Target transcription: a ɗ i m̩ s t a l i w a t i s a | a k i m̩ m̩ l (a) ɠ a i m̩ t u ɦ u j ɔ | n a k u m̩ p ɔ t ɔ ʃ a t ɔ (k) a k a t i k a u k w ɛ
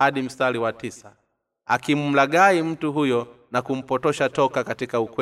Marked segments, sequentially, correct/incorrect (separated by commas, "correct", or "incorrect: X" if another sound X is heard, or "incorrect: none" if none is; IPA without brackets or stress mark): correct, correct